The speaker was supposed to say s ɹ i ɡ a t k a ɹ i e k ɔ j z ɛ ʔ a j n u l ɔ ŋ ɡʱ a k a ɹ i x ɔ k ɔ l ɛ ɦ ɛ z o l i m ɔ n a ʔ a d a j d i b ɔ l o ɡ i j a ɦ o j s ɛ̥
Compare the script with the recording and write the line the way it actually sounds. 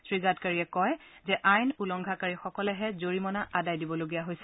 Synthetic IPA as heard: s ɹ i ɡ a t k a ɹ i ɛ k ɔ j z ɛ ʔ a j n u l ɔ ŋ ɡʱ a k a ɹ i x ɔ k ɔ l ɛ ɦ ɛ z o ɹ i m ɔ n a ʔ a d a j d i b ɔ l o ɡ i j a ɦ o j s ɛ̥